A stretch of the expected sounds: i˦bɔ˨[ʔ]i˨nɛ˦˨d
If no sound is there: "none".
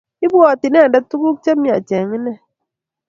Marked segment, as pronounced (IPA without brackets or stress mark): t